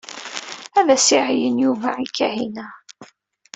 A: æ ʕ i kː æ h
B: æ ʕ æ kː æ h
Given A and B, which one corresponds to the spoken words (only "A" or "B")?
A